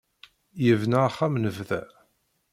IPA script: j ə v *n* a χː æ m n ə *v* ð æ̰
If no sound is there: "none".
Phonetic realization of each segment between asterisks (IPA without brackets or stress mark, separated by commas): n, v